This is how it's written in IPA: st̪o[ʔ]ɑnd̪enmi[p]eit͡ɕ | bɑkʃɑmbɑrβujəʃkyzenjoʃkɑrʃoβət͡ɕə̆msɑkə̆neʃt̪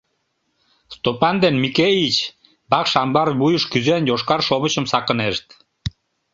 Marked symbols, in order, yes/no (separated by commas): no, no